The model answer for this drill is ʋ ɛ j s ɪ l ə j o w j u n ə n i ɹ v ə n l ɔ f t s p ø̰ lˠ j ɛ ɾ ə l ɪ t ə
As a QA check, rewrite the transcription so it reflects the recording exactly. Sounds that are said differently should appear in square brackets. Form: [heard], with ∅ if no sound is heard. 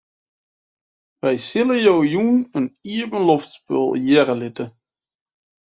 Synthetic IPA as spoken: ʋ ɛ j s ɪ l ə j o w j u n ə n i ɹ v ə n l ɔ f t s p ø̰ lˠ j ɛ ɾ ə l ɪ t ə